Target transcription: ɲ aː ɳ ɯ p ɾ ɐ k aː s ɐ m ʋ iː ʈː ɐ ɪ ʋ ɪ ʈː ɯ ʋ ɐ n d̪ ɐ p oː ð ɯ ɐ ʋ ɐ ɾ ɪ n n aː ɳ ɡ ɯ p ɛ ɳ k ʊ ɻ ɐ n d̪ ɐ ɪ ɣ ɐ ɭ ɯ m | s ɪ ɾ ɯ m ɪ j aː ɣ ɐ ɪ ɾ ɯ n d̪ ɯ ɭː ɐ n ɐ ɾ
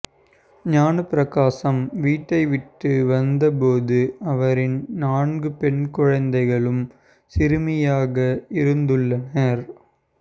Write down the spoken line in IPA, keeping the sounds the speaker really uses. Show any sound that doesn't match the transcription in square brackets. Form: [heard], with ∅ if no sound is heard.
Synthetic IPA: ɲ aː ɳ ɯ p ɾ ɐ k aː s ɐ m ʋ iː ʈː ɐ ɪ ʋ ɪ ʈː ɯ ʋ ɐ n d̪ ɐ p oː ð ɯ ɐ ʋ ɐ ɾ ɪ n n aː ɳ ɡ ɯ p ɛ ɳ k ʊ ɻ ɐ n d̪ ɐ ɪ ɣ ɐ ɭ ɯ m | s ɪ ɾ ɯ m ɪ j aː ɣ ɐ ɪ ɾ ɯ n d̪ ɯ ɭː ɐ n ɐ ɾ